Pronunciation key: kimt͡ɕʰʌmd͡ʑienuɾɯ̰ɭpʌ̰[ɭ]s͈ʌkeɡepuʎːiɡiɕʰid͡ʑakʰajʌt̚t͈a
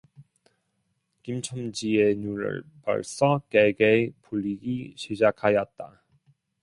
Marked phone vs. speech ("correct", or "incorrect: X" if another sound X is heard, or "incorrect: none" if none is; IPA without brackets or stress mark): correct